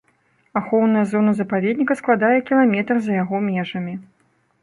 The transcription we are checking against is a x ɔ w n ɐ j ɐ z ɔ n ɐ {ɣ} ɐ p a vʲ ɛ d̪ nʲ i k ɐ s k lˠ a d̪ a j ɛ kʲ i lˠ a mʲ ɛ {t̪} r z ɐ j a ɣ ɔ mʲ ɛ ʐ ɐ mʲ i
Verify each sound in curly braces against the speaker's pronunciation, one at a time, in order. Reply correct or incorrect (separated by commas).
incorrect, correct